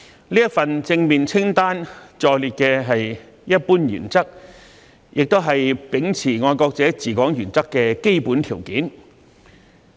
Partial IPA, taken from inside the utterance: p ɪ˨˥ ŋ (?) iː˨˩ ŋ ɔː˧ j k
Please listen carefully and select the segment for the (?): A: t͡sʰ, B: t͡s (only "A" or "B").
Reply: A